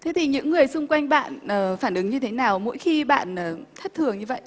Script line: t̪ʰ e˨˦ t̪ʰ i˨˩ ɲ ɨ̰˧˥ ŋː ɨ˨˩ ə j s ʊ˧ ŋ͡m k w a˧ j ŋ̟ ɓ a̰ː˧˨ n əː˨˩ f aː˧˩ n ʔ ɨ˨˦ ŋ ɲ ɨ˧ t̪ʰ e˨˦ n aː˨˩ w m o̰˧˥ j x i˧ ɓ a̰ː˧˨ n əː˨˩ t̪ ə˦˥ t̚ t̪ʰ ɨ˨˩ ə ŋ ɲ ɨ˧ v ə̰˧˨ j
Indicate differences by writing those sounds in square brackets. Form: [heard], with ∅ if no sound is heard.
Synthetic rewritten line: t̪ʰ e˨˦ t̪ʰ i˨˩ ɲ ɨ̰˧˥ ŋː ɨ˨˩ ə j s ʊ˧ ŋ͡m k w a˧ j ŋ̟ ɓ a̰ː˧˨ n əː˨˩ f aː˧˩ n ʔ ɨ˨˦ ŋ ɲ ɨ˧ t̪ʰ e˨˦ n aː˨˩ w m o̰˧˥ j x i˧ ɓ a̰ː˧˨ n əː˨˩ [t̪ʰ] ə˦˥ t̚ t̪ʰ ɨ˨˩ ə ŋ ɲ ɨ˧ v ə̰˧˨ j